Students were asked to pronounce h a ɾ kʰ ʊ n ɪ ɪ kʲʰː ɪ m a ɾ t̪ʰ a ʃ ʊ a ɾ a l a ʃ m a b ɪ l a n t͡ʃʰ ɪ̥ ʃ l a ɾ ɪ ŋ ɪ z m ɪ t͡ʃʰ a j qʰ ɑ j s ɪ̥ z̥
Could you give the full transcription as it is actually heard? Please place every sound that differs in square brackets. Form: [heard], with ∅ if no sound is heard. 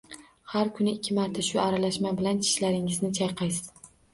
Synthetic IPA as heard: h a ɾ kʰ ʊ n ɪ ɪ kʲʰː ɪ m a ɾ t̪ʰ a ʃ ʊ a ɾ a l a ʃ m a b ɪ l a n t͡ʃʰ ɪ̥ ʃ l a ɾ ɪ ŋ ɪ z [n] ɪ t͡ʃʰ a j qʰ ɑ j s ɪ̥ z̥